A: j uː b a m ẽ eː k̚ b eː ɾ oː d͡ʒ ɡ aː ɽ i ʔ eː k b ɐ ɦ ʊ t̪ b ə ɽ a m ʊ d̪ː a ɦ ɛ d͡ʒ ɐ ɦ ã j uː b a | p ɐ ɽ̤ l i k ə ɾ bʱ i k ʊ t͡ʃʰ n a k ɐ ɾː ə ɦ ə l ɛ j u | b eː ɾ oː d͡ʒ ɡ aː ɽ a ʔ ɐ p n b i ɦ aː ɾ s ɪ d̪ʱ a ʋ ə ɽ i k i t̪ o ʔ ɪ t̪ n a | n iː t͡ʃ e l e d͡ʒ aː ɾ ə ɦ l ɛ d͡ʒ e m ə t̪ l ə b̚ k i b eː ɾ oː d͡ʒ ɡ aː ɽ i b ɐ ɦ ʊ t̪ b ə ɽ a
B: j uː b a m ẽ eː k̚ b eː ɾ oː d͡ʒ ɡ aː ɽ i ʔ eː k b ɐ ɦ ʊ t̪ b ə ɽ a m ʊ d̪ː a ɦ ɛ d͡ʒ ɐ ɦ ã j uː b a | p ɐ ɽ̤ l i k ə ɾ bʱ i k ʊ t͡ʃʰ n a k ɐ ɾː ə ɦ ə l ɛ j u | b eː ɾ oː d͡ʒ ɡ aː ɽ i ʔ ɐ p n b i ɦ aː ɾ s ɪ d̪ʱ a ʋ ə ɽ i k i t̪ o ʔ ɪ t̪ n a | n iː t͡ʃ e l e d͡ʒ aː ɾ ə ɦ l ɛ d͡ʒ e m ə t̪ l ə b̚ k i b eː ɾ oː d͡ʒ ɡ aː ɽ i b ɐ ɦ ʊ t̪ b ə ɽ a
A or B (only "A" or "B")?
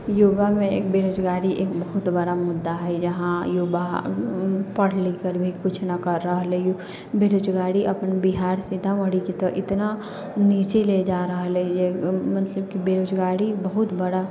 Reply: B